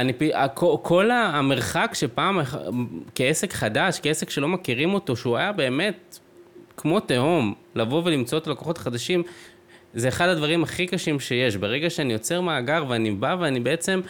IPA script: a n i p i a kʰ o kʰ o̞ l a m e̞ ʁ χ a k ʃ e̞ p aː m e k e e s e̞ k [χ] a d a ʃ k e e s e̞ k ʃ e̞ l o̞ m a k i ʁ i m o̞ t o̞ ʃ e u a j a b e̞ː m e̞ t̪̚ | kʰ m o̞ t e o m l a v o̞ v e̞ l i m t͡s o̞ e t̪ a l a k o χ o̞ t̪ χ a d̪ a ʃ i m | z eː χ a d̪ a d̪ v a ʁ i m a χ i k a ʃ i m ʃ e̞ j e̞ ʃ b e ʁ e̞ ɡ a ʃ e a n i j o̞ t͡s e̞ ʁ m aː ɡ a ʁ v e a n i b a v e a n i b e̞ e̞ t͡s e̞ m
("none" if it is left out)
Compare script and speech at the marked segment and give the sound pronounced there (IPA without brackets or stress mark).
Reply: χ